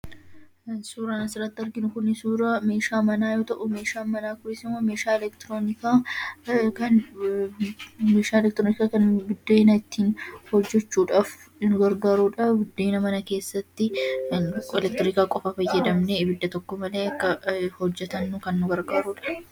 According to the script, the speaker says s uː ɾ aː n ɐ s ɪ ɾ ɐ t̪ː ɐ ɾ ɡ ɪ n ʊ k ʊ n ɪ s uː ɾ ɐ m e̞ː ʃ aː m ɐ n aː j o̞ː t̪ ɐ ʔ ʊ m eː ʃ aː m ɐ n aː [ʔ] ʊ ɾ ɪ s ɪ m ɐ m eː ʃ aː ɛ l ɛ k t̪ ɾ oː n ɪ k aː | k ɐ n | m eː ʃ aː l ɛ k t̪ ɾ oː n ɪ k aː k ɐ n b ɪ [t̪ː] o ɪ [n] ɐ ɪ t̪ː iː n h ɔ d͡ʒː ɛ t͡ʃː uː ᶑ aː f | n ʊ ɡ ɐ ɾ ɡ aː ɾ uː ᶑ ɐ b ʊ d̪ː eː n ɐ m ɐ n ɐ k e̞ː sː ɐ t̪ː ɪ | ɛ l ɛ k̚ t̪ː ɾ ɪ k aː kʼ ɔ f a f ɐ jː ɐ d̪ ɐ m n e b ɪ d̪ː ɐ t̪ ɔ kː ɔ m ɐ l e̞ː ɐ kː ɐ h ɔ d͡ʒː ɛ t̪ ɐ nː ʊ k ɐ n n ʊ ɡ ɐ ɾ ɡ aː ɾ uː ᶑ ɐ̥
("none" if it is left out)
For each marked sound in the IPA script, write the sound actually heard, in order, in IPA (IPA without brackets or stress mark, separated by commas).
k, d̪ː, n